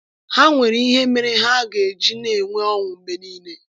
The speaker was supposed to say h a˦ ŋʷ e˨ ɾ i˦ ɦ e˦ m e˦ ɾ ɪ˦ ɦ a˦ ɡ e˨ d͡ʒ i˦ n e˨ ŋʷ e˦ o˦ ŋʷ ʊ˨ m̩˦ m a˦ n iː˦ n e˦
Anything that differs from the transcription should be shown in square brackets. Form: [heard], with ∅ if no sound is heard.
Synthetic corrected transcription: h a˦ ŋʷ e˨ ɾ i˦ ɦ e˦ m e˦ ɾ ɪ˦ ɦ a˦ ɡ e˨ d͡ʒ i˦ n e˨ ŋʷ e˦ [ɔ˦] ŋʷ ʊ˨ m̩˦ m [e˦] n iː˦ n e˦